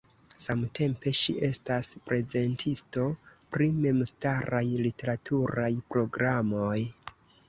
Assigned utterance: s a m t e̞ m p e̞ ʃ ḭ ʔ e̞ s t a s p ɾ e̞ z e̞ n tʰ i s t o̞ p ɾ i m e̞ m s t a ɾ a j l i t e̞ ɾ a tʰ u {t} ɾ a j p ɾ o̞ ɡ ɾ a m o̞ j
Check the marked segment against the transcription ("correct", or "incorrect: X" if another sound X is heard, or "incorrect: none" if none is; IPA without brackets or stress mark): incorrect: none